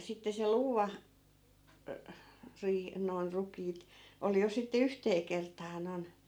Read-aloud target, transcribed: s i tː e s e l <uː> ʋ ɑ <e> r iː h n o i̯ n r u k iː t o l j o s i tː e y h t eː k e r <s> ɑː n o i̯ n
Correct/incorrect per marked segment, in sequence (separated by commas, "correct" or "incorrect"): correct, incorrect, incorrect